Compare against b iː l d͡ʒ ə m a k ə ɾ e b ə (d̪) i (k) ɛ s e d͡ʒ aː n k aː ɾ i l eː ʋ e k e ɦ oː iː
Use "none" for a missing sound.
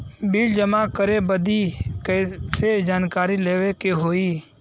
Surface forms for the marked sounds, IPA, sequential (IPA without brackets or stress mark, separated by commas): d̪, k